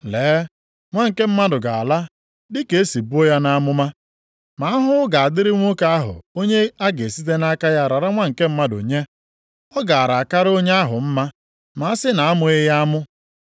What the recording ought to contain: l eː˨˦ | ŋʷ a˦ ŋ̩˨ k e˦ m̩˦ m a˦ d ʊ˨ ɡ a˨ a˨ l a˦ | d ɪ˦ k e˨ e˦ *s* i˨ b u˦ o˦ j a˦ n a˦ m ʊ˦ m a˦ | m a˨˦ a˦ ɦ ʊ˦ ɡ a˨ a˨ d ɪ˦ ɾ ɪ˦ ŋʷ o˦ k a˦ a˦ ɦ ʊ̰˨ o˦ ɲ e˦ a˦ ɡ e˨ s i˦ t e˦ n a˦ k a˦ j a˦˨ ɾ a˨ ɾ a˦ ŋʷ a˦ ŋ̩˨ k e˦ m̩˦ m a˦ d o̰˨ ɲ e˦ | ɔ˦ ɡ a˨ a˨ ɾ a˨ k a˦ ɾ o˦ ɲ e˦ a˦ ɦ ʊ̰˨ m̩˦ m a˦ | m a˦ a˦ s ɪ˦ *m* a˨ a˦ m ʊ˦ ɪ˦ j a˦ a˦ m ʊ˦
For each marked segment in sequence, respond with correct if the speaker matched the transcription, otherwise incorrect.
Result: correct, incorrect

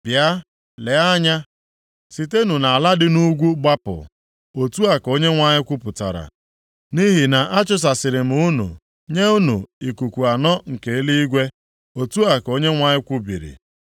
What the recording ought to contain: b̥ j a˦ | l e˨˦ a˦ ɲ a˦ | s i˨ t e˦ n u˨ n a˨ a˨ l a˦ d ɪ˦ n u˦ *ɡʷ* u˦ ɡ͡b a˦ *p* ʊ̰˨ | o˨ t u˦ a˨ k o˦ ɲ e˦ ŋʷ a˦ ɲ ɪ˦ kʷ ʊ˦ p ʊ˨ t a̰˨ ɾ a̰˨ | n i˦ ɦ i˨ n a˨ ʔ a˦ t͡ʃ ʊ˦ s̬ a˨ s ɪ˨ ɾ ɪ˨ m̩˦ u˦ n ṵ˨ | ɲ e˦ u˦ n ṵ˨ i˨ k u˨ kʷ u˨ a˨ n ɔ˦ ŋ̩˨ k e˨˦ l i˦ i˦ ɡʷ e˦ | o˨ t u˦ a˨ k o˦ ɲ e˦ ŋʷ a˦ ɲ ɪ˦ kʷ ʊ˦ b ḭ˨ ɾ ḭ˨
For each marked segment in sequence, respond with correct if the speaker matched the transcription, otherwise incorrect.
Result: correct, correct

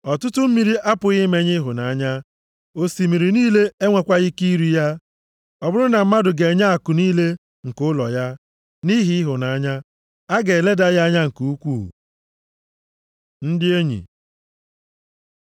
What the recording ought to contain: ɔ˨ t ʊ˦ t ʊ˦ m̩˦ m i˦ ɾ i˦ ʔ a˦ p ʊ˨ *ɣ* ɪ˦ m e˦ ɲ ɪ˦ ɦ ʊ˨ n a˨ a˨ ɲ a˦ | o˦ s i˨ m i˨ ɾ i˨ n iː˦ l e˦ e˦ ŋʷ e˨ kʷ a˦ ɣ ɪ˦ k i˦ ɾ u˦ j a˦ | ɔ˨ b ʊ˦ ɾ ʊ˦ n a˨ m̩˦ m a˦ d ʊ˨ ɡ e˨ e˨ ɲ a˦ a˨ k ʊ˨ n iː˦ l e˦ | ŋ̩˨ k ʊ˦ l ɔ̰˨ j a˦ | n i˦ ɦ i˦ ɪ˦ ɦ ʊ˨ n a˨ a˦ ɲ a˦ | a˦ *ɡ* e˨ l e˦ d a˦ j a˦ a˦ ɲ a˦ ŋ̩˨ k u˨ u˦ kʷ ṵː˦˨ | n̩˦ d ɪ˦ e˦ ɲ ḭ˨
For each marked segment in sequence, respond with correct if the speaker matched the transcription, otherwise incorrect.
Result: correct, correct

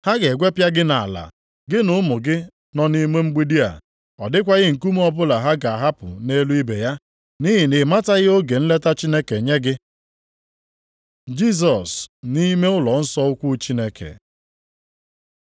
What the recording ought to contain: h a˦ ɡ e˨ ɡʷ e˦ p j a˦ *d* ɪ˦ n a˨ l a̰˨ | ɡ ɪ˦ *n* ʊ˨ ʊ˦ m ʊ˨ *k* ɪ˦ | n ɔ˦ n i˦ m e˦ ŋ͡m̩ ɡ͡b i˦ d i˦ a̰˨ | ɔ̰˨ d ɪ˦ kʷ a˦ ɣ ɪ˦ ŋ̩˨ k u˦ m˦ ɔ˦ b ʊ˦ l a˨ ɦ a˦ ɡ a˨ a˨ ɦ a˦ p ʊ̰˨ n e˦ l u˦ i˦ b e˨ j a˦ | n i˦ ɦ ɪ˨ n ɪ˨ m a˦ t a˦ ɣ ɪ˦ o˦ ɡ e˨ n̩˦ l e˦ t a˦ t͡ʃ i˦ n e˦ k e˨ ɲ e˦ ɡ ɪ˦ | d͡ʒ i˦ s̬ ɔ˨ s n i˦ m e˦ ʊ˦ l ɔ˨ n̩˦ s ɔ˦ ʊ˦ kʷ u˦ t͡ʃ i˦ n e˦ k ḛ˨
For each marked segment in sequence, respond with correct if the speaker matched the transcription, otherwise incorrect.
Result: incorrect, correct, incorrect

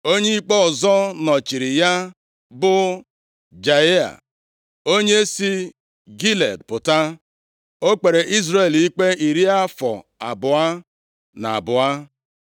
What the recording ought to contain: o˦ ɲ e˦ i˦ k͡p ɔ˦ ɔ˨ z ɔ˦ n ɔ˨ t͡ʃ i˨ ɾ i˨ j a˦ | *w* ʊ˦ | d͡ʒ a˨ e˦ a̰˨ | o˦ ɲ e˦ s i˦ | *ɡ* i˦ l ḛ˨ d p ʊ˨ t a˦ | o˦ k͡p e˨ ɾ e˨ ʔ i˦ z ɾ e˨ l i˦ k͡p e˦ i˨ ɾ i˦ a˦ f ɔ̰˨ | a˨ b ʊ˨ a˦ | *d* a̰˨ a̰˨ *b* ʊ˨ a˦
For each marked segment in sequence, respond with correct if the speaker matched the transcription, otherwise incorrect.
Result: incorrect, correct, incorrect, correct

